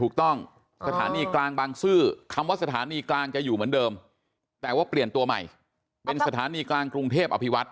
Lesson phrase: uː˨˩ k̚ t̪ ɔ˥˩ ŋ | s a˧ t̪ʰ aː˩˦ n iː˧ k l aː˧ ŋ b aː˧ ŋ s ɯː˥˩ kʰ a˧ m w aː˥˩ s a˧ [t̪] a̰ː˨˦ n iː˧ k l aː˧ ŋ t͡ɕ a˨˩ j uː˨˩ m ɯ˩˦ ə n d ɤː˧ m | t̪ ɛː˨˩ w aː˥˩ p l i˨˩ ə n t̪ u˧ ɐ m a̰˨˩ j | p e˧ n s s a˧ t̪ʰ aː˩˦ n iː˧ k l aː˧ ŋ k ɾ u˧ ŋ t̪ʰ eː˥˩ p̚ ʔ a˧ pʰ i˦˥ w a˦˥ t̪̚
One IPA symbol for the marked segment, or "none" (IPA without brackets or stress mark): t̪ʰ